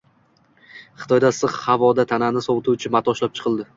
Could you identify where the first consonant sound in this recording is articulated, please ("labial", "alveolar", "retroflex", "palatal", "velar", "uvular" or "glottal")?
uvular